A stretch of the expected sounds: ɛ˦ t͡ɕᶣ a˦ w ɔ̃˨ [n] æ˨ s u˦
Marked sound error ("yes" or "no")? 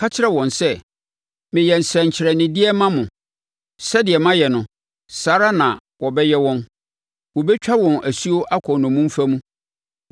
no